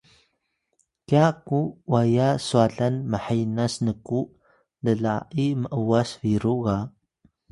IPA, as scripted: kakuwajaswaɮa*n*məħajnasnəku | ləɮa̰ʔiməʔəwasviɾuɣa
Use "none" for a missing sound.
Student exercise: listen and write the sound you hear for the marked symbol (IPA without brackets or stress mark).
n